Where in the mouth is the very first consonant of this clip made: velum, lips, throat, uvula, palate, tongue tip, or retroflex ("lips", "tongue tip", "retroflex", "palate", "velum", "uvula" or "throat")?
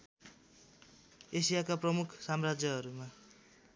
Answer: tongue tip